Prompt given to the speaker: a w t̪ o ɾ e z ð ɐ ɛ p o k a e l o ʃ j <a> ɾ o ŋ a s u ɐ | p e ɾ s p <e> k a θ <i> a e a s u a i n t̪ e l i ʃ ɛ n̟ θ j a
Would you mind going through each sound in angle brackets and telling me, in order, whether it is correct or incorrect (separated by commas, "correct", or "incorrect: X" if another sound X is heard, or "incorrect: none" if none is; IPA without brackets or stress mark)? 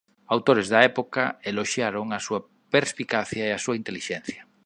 correct, incorrect: i, incorrect: j